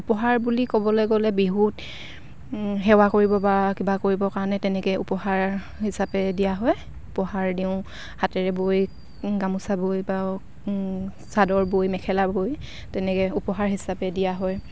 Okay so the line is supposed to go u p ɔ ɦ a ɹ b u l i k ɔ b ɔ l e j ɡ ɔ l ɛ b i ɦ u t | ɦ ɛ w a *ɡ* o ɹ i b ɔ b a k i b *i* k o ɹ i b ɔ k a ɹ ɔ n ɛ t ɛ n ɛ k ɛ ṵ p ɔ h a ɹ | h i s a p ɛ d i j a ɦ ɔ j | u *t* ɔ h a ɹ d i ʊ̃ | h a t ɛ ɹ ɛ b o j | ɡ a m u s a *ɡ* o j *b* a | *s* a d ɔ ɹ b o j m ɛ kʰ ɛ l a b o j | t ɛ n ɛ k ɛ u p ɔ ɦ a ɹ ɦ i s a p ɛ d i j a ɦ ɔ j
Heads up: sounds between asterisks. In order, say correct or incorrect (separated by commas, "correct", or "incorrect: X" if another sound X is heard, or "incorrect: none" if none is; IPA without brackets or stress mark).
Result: incorrect: k, incorrect: a, incorrect: p, incorrect: b, correct, correct